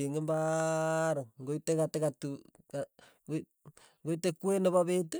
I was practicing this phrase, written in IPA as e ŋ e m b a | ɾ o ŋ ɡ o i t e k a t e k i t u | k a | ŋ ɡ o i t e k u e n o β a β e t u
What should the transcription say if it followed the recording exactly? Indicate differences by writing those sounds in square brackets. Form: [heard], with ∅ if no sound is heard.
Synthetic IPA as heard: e ŋ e m b a | ɾ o ŋ ɡ o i t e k a t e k [a] t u | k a | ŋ ɡ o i t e k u e n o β a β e t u